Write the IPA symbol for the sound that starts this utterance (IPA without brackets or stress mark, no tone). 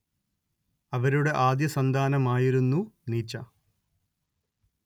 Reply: ɐ